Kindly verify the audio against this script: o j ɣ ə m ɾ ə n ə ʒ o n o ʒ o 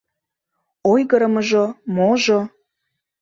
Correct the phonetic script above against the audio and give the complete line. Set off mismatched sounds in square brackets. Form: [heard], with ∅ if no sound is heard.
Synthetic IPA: o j ɣ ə [∅] ɾ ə [m] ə ʒ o [m] o ʒ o